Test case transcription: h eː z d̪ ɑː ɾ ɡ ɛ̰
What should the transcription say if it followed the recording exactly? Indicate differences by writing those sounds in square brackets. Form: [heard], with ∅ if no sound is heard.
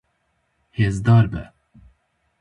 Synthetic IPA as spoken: h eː z d̪ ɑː ɾ [b] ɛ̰

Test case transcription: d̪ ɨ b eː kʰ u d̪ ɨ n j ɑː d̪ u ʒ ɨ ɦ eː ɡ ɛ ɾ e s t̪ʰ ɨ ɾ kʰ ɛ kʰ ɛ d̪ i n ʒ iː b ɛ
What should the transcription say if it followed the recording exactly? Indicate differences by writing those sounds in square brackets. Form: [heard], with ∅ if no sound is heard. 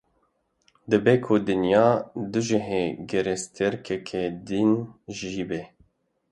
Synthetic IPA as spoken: d̪ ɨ b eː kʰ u d̪ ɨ n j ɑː d̪ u ʒ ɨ ɦ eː ɡ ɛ ɾ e s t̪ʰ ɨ ɾ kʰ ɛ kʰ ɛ d̪ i n ʒ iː b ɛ

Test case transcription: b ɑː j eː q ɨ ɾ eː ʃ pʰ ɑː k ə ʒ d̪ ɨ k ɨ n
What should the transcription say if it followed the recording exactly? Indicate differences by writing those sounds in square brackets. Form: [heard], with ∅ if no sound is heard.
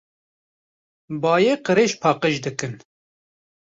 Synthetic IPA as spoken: b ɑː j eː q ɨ ɾ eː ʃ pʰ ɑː [q] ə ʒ d̪ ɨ k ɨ n

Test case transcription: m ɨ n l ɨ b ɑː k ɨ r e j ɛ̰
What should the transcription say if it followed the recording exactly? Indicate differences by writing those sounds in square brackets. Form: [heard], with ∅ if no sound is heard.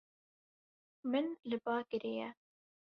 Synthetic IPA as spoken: m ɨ n l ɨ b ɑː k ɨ [ɾ] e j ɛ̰

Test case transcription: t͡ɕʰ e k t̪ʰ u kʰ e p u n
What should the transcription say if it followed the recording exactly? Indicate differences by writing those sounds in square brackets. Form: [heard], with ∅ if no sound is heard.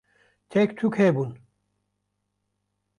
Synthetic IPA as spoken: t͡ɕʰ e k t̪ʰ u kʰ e [b] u n

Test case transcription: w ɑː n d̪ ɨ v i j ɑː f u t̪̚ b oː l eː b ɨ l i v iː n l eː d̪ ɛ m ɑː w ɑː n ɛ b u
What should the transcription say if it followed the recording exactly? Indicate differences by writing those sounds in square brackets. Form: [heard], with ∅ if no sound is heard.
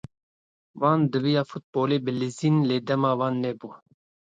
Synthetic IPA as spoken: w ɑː n d̪ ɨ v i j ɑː f u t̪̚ b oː l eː b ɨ l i [z] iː n l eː d̪ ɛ m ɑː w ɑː [nː] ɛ b u

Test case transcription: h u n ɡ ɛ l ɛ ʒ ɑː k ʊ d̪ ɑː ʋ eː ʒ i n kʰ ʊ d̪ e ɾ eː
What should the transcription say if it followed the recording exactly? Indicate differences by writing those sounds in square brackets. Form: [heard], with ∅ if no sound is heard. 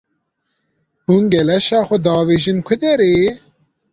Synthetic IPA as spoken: h u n ɡ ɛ l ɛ [ʃ] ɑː [x] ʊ d̪ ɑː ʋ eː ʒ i n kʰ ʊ d̪ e ɾ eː

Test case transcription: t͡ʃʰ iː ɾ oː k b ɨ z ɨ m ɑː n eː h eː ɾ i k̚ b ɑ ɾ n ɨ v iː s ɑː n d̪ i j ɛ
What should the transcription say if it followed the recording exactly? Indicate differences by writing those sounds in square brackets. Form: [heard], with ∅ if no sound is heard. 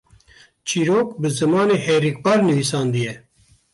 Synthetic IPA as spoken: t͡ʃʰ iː ɾ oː k b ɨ z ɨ m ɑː n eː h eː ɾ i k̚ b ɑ ɾ n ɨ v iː s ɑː n d̪ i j ɛ

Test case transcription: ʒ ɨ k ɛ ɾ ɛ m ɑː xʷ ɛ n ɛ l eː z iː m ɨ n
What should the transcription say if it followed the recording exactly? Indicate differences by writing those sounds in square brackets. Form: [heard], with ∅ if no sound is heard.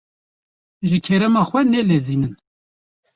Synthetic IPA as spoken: ʒ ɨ [kʰ] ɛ ɾ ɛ m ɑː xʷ ɛ n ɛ l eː z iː [n] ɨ n

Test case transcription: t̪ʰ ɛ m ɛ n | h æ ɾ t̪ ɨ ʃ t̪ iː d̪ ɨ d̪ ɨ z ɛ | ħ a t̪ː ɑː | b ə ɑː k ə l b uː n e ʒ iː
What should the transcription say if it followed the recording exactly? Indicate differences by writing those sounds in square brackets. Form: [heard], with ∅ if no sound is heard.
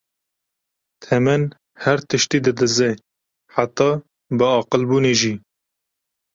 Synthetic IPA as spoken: t̪ʰ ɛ m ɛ n | h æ ɾ t̪ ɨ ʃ t̪ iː d̪ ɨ d̪ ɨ z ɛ | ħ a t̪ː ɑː | b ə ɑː [q] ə l b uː n e ʒ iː

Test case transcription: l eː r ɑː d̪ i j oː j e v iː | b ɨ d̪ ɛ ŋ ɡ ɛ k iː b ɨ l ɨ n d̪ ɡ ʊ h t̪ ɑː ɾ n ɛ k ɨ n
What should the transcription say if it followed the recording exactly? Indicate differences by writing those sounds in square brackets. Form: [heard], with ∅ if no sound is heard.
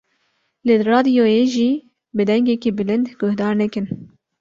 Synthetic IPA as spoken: l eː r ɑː d̪ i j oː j e [ʒ] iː | b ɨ d̪ ɛ ŋ ɡ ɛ k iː b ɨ l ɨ n d̪ ɡ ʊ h [d̪] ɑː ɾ n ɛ k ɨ n

